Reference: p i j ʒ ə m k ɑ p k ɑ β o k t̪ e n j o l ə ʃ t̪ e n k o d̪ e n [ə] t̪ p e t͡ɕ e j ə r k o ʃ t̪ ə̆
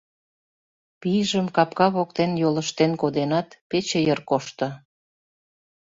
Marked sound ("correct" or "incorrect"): incorrect